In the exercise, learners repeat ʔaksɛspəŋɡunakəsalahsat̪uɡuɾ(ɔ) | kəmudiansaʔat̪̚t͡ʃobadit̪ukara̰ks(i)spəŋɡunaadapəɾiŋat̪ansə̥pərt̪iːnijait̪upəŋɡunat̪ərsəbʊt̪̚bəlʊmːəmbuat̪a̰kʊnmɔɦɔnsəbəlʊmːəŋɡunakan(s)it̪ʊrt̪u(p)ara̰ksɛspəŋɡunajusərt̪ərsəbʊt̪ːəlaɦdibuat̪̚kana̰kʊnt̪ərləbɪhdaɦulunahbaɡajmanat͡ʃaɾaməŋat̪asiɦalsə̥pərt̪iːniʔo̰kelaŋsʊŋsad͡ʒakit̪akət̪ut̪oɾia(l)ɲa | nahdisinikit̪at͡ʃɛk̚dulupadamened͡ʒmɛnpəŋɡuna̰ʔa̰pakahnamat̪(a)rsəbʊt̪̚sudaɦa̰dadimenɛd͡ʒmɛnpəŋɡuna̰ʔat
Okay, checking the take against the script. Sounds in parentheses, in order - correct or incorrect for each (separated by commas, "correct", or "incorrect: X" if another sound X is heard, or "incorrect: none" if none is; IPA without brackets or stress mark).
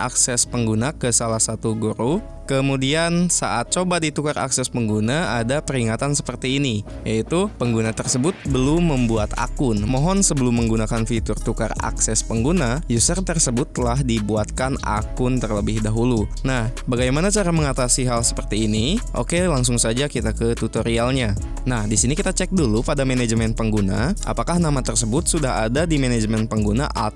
incorrect: u, incorrect: ɛ, incorrect: f, incorrect: k, correct, incorrect: ə